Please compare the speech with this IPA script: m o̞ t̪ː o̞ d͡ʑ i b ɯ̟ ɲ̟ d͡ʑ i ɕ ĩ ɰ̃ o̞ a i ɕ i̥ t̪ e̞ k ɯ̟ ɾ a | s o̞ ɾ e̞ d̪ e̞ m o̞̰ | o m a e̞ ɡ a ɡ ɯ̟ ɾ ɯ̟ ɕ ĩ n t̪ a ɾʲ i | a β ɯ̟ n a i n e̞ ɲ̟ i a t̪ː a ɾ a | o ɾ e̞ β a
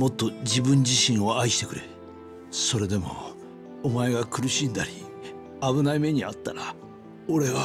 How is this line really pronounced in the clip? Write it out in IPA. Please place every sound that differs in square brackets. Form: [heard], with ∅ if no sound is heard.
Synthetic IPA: m o̞ t̪ː o̞ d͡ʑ i b [ɯ̟̃] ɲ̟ d͡ʑ i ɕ ĩ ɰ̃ o̞ a i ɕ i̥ t̪ e̞ k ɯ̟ ɾ [e] | s o̞ ɾ e̞ d̪ e̞ m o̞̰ | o m a e̞ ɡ a [k] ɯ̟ ɾ ɯ̟ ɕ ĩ n [d̪] a ɾʲ i | a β ɯ̟ n a i [m] e̞ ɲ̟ i a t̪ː a ɾ a | o ɾ e̞ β a